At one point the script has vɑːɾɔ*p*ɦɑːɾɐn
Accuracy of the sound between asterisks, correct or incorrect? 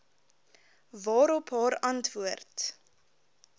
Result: correct